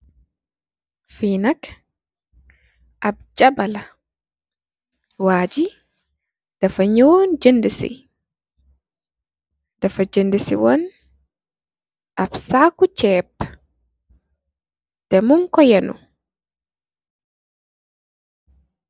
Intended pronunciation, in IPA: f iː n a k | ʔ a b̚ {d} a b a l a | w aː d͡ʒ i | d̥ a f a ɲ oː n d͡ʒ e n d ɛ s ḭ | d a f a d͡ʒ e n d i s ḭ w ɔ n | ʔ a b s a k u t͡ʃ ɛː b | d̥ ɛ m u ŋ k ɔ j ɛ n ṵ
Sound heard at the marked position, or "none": d͡ʒ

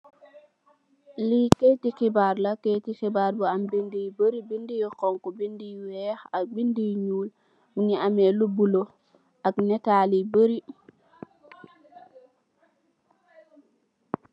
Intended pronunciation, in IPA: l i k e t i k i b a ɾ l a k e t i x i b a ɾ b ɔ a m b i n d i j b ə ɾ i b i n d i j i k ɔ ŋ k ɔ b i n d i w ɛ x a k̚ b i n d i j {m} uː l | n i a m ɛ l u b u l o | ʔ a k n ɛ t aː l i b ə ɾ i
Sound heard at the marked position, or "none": ɲ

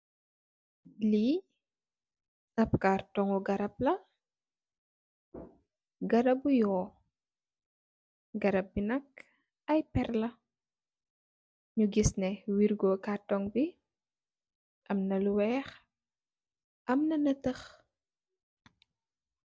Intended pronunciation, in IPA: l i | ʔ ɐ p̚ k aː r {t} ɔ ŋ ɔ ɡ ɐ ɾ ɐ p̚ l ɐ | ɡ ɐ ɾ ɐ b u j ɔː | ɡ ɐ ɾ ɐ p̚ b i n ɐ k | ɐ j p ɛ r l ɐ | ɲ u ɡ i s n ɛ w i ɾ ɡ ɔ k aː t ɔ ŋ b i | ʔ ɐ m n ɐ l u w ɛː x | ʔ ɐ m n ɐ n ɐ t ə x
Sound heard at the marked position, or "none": t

